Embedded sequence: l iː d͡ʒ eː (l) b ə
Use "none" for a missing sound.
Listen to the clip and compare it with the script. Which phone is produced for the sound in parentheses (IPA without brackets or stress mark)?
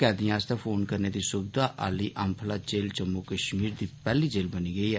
l